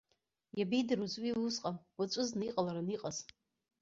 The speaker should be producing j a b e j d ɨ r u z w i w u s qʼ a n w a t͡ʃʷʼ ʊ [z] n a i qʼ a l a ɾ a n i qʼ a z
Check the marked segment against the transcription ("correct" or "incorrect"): correct